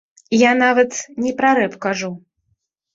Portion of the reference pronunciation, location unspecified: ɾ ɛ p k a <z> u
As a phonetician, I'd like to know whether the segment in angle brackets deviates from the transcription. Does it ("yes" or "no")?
yes